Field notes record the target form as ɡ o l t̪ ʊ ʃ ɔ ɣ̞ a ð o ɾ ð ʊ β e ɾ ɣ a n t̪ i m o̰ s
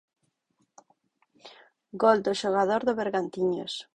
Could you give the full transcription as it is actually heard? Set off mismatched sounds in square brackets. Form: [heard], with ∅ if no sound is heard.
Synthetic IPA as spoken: ɡ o l [d̪] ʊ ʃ [o] ɣ̞ a ð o ɾ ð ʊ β e ɾ ɣ a n t̪ i [ɲ] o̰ s

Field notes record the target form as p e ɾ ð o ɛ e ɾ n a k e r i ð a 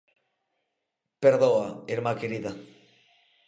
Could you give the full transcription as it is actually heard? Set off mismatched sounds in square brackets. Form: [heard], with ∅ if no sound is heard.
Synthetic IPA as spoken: p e ɾ ð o [a] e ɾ [m] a k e [ɾ] i ð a

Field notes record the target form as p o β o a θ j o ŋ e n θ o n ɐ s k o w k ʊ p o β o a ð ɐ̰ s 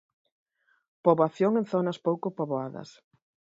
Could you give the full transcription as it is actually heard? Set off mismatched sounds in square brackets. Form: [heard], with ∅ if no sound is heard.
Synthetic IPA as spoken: p o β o a θ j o ŋ e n θ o n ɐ s [p] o w k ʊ p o β o a ð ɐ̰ s

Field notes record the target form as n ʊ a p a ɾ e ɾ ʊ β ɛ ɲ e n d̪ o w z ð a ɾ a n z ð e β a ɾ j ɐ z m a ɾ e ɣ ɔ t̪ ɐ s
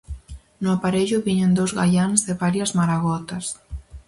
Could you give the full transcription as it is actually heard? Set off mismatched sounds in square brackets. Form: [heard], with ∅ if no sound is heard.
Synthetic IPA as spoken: n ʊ a p a ɾ e [ʎ] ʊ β [i] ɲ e n d̪ o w z [ɣ] a [ʎ] a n z ð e β a ɾ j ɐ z m a ɾ [a] ɣ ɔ t̪ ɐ s

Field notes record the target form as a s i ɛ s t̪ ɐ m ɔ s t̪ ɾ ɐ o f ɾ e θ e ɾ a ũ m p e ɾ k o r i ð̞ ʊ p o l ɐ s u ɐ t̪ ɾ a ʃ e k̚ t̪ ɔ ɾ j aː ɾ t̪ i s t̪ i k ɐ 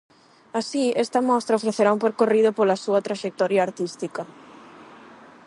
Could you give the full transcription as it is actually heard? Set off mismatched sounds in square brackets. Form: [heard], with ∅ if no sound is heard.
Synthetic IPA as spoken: a s i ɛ s t̪ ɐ m ɔ s t̪ ɾ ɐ o f ɾ e θ e ɾ a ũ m p e ɾ k o r i ð̞ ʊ p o l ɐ s u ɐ t̪ ɾ a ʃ e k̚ t̪ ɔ ɾ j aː ɾ t̪ i s t̪ i k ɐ

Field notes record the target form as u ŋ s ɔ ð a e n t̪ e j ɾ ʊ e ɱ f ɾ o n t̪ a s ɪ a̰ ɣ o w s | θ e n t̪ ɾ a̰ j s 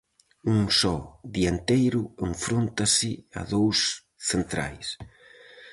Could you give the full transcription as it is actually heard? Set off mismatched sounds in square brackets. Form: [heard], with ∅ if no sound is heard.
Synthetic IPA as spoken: u ŋ s ɔ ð [i] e n t̪ e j ɾ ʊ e ɱ f ɾ o n t̪ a s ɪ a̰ [ð] o w s | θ e n t̪ ɾ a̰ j s

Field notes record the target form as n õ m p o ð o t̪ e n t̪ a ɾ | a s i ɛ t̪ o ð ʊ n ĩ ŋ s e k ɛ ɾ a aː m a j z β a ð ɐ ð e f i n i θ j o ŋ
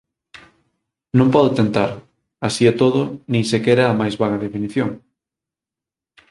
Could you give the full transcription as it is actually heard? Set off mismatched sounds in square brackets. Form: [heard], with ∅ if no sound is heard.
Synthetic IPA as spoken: n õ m p [ɔ] ð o t̪ e n t̪ a ɾ | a s i ɛ t̪ o ð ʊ n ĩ ŋ s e k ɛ ɾ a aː m a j z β a [ɣ] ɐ ð e f i n i θ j o ŋ

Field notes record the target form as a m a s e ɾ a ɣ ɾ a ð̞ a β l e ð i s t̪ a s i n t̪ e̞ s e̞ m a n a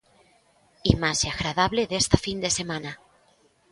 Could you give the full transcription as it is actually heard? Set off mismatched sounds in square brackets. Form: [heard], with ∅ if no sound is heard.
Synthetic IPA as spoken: [i] m a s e [∅] a ɣ ɾ a ð̞ a β l e ð [e] s t̪ a [f] i n [d̪] e̞ s e̞ m a n a

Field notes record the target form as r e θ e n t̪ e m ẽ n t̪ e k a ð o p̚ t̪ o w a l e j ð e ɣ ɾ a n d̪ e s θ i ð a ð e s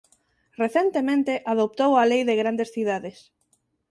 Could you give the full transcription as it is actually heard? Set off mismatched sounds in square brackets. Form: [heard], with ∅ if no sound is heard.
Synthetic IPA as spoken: r e θ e n t̪ e m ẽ n t̪ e [ʔ] a ð o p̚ t̪ o w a l e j ð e ɣ ɾ a n d̪ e s θ i ð a ð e s

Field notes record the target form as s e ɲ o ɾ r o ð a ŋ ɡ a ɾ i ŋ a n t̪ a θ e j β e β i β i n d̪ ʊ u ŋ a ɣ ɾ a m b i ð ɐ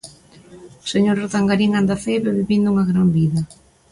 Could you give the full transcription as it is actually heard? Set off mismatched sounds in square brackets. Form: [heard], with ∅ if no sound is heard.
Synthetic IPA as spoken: s e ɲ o ɾ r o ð a ŋ ɡ a ɾ i ŋ a n [d̪] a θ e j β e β i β i n d̪ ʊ u ŋ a ɣ ɾ a m b i ð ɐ

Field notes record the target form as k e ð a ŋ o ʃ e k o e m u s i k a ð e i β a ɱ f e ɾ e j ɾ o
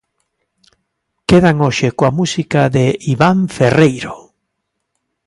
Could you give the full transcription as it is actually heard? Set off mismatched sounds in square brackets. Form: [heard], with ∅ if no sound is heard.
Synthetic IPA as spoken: k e ð a ŋ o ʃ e k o [a] m u s i k a ð e i β a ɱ f e [r] e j ɾ o

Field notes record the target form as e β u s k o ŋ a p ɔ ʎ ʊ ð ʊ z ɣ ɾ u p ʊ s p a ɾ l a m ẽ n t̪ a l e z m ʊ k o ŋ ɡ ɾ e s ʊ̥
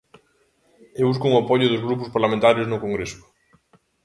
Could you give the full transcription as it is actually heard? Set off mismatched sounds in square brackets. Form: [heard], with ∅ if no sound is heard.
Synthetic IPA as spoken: e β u s k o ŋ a p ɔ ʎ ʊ ð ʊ z ɣ ɾ u p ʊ s p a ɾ l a m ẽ n t̪ a [ɾ] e z [n] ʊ k o ŋ ɡ ɾ e s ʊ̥

